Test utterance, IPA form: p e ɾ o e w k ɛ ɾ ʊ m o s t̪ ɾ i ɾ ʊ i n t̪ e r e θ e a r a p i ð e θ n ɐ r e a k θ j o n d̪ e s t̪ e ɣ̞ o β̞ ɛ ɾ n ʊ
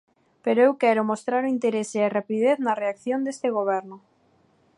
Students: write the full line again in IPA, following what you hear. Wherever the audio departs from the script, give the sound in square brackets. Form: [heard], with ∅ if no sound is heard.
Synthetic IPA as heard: p e ɾ o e w k ɛ ɾ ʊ m o s t̪ ɾ [a] ɾ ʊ i n t̪ e [ɾ] e [s] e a r a p i ð e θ n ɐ r e a k θ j o n d̪ e s t̪ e ɣ̞ o β̞ ɛ ɾ n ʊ